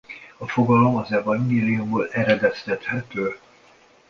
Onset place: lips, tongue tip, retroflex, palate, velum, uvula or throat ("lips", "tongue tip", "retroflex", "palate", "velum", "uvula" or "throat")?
lips